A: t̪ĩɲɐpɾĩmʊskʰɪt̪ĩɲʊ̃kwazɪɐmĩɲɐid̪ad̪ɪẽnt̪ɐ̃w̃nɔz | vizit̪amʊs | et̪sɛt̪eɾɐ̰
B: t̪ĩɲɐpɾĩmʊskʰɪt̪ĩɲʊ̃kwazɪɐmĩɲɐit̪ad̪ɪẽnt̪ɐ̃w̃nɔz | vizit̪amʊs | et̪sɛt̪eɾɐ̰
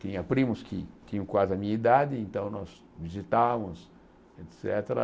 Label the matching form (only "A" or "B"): A